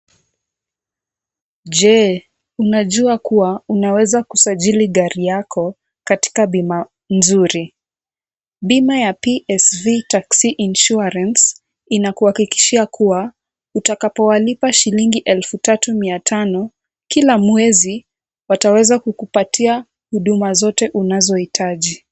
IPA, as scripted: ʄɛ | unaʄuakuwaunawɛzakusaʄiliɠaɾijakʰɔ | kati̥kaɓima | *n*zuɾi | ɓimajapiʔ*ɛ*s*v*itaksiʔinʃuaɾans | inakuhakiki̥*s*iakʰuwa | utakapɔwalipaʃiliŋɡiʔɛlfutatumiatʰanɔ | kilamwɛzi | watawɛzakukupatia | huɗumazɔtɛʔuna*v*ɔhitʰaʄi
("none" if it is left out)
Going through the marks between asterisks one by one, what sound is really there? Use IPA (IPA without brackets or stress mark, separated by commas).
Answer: n, ɛ, v, ʃ, z